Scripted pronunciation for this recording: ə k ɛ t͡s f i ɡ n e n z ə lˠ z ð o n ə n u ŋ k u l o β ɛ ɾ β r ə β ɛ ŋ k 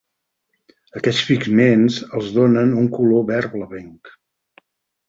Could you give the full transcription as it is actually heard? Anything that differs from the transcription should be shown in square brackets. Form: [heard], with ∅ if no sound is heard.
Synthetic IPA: ə k ɛ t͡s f i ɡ [m] e n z ə lˠ z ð o n ə n u ŋ k u l o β ɛ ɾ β [l] ə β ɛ ŋ k